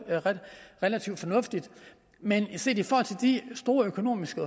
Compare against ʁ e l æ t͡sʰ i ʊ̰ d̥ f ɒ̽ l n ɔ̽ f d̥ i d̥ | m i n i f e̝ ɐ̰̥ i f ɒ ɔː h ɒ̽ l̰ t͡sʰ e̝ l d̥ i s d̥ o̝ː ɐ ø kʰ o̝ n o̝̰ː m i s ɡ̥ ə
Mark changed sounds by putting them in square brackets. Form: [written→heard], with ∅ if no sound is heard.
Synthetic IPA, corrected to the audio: ʁ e l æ t͡sʰ i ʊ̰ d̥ f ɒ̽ [l→∅] n ɔ̽ f d̥ i d̥ | m [i→e] n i [f→s] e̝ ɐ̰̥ i f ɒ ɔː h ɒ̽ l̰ t͡sʰ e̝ l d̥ i s d̥ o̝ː ɐ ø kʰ o̝ n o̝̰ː m i s ɡ̥ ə